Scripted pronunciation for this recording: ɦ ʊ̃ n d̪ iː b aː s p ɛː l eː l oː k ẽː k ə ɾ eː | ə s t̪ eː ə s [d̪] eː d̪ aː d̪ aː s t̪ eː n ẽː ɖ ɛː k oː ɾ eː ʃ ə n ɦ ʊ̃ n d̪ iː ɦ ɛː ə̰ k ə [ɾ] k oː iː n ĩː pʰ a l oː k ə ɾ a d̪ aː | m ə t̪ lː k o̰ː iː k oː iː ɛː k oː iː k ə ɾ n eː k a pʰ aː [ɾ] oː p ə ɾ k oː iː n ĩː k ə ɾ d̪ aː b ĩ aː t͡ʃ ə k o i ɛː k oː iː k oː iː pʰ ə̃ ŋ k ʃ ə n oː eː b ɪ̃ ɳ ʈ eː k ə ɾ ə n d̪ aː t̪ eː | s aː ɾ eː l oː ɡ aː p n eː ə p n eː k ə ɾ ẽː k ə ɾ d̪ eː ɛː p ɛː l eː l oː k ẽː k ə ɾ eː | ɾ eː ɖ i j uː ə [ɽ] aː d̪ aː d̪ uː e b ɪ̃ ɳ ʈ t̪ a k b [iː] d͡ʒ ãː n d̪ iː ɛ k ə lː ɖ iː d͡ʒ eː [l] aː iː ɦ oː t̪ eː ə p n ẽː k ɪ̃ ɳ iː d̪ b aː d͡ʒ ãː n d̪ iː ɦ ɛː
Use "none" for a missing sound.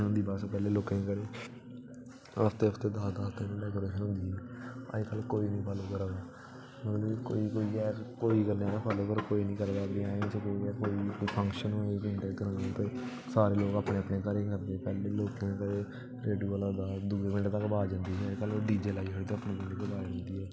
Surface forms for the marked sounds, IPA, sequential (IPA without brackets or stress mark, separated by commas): t̪, l, l, l, aː, l